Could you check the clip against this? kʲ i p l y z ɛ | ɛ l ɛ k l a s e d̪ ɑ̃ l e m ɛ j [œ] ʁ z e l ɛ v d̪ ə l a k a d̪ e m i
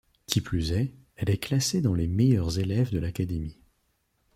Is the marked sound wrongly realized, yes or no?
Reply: no